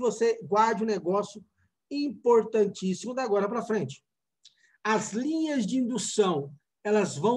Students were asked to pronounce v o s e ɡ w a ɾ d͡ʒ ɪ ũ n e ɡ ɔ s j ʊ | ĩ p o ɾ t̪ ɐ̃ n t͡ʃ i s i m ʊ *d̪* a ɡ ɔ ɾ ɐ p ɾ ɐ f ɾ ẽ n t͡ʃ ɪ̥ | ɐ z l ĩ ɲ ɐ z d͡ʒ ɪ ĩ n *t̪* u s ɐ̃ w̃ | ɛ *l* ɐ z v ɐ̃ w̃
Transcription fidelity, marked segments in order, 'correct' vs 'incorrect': correct, incorrect, correct

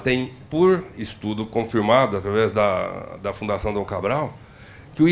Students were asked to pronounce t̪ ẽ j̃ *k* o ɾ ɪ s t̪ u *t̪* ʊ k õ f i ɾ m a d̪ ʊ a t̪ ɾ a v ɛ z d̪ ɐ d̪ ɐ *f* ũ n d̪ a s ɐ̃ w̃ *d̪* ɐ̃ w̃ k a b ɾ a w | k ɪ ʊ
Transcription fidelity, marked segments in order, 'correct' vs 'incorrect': incorrect, incorrect, correct, correct

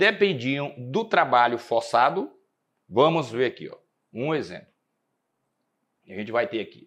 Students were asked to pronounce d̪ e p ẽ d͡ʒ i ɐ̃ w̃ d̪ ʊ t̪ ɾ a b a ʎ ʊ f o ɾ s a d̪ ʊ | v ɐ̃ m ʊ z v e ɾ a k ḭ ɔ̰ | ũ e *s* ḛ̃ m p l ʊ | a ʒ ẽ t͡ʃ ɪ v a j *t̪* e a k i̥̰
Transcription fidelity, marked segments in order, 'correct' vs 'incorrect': incorrect, correct

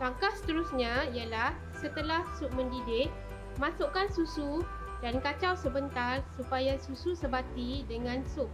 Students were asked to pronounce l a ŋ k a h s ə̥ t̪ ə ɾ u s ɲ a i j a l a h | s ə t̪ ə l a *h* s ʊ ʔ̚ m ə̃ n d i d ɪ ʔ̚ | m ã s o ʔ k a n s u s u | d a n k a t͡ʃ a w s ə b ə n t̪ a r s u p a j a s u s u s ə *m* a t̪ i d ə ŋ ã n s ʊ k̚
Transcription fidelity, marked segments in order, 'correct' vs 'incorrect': correct, incorrect

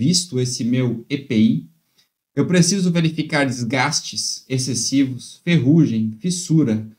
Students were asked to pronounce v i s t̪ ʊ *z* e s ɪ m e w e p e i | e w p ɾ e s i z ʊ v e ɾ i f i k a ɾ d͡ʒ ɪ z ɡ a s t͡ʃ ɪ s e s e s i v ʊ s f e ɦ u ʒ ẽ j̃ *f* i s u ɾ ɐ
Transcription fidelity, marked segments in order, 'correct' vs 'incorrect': incorrect, correct

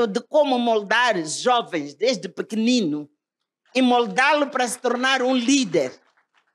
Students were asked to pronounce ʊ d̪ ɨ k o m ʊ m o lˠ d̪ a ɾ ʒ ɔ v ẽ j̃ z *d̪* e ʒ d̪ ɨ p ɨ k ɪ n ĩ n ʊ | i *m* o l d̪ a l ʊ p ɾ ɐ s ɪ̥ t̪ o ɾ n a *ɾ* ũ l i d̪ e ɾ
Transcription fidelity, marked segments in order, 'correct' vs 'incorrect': correct, correct, correct

